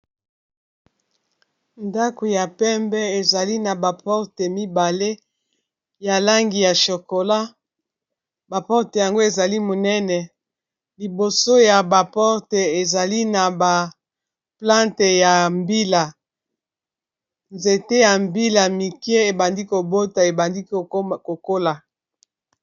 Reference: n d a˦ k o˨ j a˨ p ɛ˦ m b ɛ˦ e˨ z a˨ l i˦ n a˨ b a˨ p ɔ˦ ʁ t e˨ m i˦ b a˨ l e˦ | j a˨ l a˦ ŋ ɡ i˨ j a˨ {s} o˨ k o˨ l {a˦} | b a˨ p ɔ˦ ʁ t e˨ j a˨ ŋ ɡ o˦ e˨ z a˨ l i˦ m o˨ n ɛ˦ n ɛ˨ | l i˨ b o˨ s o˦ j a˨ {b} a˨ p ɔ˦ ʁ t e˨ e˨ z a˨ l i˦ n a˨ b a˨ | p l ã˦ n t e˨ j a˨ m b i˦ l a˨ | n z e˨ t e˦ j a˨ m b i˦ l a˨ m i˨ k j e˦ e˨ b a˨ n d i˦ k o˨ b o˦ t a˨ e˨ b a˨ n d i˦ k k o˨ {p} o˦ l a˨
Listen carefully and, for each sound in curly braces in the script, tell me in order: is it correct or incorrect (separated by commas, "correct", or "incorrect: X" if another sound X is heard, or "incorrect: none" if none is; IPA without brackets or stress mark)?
incorrect: ʃ, correct, correct, incorrect: k